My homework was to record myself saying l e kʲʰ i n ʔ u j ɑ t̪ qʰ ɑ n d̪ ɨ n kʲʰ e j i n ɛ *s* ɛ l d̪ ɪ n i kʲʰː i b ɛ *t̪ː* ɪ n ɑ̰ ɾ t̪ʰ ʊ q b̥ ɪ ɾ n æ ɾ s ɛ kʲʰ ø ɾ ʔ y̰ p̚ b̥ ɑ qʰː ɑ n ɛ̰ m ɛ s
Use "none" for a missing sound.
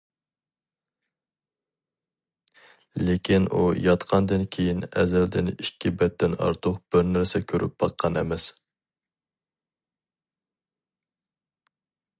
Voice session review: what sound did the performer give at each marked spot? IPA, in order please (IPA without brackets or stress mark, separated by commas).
z, t̪ː